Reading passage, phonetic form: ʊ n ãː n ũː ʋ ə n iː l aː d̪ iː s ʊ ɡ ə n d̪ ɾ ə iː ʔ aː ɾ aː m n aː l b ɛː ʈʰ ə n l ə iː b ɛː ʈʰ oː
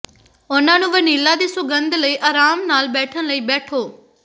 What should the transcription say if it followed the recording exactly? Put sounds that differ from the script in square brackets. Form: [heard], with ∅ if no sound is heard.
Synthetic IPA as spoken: ʊ n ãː n ũː ʋ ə n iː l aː d̪ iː s ʊ ɡ ə n d̪ [l] ə iː ʔ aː ɾ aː m n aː l b ɛː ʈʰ ə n l ə iː b ɛː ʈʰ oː